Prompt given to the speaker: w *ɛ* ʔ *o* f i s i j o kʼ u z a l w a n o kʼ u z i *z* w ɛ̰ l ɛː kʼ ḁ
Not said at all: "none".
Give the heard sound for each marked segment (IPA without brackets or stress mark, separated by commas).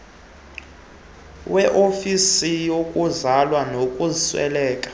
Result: ɛ, o, s